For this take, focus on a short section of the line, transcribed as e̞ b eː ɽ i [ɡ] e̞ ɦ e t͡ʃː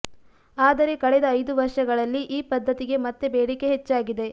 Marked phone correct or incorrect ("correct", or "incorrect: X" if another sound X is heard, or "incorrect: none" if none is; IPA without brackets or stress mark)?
incorrect: k